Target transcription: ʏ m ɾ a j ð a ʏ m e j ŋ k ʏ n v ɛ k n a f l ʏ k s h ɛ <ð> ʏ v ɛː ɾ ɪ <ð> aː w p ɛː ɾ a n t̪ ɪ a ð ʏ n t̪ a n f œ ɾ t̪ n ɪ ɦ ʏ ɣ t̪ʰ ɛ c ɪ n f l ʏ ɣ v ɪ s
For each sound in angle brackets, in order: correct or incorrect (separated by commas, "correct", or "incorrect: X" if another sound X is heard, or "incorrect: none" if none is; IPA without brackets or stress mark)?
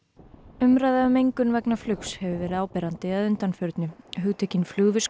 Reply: incorrect: v, correct